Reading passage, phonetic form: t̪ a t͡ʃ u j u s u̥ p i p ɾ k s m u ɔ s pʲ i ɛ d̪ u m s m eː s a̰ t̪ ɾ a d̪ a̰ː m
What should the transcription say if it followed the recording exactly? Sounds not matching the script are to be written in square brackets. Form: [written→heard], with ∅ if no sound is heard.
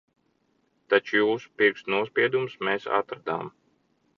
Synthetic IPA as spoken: t̪ a t͡ʃ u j [u→uː] s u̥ p i [p→∅] ɾ k s [m→n] u ɔ s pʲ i ɛ d̪ u m s m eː s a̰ t̪ ɾ a d̪ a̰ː m

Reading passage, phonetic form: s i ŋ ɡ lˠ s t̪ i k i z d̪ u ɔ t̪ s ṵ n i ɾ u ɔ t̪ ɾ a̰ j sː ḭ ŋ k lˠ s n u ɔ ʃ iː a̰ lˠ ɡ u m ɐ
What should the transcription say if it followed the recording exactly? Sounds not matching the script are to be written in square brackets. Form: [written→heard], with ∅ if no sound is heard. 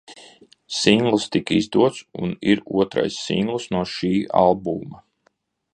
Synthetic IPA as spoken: s i ŋ ɡ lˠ s t̪ i k i z d̪ u ɔ t̪ s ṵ n i ɾ u ɔ t̪ ɾ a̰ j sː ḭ ŋ [k→ɡ] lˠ s n u ɔ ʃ iː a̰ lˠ [ɡ→b] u m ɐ

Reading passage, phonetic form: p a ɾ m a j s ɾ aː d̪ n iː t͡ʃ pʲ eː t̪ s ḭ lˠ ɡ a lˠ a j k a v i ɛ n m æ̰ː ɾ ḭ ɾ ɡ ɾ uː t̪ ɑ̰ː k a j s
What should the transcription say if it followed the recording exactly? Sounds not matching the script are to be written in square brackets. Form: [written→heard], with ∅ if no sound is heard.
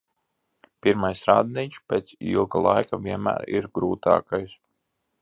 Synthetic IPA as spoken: p [a→i] ɾ m a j s ɾ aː d̪ n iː t͡ʃ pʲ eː t̪ s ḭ lˠ ɡ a lˠ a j k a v i ɛ n m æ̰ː ɾ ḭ ɾ ɡ ɾ uː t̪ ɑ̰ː k a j s

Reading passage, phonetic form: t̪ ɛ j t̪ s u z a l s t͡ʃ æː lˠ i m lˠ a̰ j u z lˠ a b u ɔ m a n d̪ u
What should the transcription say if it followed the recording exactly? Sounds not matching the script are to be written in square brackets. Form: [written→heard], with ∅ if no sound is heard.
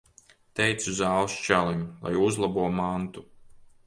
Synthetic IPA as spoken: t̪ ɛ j t̪ s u z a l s t͡ʃ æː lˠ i m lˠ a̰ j u z lˠ a b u ɔ m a n [d̪→t̪] u

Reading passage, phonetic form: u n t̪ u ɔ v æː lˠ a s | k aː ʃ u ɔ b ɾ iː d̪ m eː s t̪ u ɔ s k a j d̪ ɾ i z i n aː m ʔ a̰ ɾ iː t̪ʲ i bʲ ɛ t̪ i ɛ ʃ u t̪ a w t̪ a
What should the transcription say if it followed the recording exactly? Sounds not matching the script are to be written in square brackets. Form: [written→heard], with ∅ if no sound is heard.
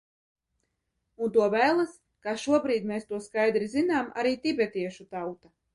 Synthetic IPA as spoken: u n t̪ u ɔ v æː lˠ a s | k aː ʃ u ɔ b ɾ iː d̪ m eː s t̪ u ɔ s k a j d̪ ɾ i z i n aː m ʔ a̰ ɾ iː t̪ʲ i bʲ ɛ t̪ i ɛ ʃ u t̪ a w t̪ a

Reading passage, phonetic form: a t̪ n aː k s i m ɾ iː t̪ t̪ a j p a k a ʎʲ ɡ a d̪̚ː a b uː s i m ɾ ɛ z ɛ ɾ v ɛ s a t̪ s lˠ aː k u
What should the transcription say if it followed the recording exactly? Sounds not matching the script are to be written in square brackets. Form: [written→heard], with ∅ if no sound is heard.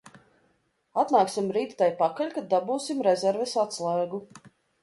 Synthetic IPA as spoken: a t̪ n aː k s i m ɾ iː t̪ t̪ a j p a k a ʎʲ [ɡ→k] a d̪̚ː a b uː s i m ɾ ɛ z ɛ ɾ v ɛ s a t̪ s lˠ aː [k→ɡ] u

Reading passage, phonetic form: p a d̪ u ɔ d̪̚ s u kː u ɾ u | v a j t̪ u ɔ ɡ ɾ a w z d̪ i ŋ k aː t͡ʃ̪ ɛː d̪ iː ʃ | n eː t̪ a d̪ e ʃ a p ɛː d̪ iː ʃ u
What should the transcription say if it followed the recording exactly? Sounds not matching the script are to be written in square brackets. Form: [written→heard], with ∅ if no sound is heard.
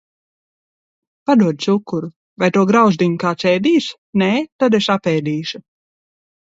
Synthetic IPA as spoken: p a d̪ u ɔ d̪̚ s u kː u ɾ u | v a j t̪ u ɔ ɡ ɾ a w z d̪ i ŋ k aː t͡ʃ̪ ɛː d̪ iː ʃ | n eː t̪ a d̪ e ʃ a p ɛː d̪ iː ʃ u

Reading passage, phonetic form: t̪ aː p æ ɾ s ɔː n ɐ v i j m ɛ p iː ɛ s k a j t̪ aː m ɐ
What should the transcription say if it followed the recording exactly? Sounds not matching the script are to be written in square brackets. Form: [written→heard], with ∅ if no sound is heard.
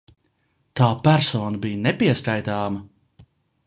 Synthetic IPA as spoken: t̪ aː p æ ɾ s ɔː n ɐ [v→b] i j [m→n] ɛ p [iː→i] ɛ s k a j t̪ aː m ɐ

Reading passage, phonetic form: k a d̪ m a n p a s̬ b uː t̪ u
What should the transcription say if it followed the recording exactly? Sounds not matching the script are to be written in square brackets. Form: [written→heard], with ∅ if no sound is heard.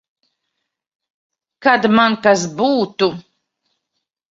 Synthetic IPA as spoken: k a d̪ m a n [p→k] a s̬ b uː t̪ u

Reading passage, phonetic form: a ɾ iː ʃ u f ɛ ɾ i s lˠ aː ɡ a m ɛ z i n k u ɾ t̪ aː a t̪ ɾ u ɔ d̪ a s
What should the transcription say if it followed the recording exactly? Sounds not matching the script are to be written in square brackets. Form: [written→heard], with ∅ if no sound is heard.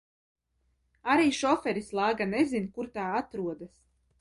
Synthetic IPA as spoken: a ɾ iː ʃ [u→ɔ] f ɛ ɾ i s lˠ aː ɡ a [m→n] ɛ z i n k u ɾ t̪ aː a t̪ ɾ u ɔ d̪ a s

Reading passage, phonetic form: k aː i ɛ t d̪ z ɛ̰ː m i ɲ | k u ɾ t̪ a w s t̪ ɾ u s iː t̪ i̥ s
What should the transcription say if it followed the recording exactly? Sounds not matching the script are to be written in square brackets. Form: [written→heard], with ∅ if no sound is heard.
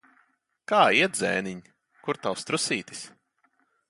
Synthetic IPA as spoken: k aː i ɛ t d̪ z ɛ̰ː [m→n] i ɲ | k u ɾ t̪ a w s t̪ ɾ u s iː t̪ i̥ s

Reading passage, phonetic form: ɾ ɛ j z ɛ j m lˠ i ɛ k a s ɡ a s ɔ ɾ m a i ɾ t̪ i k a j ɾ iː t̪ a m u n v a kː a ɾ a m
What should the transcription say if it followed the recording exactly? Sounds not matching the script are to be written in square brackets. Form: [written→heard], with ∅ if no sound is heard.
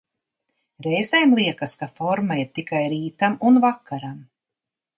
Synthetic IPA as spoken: ɾ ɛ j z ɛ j m lˠ i ɛ k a s [ɡ→k] a [s→f] ɔ ɾ m a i ɾ t̪ i k a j ɾ iː t̪ a m u n v a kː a ɾ a m

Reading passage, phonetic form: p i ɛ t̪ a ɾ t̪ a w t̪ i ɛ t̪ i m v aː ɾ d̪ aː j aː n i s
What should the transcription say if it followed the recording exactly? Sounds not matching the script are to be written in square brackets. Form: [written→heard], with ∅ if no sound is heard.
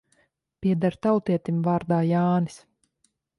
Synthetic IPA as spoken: p i ɛ [t̪→d̪] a ɾ t̪ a w t̪ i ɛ t̪ i m v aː ɾ d̪ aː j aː n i s

